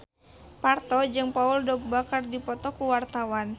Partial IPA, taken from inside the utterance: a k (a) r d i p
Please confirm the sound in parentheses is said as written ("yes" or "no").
yes